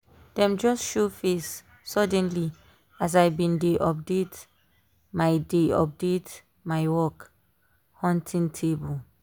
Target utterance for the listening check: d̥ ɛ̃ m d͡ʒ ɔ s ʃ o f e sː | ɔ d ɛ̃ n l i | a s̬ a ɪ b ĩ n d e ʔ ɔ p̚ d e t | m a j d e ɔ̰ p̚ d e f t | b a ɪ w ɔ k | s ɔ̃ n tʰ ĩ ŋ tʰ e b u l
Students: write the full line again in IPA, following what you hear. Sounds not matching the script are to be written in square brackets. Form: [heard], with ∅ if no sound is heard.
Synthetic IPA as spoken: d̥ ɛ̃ m d͡ʒ ɔ s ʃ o f e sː | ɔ d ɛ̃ n l i | a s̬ a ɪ b ĩ n d e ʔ ɔ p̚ d e t | m a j d e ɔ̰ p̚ d e [∅] t | [m] a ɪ w ɔ k | [h] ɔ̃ n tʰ ĩ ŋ tʰ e b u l